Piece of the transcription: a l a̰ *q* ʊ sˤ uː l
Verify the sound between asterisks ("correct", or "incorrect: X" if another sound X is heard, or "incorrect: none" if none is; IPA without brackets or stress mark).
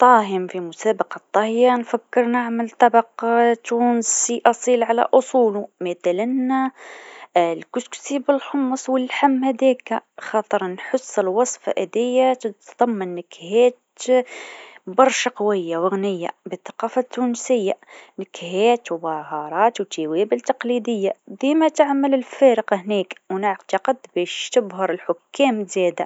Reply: incorrect: ʔ